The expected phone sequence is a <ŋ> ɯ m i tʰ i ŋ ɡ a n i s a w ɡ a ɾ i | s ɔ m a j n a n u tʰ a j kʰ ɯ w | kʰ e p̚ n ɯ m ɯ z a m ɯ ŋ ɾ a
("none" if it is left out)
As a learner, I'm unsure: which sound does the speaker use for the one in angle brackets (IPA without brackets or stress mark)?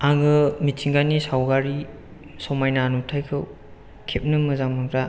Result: ŋ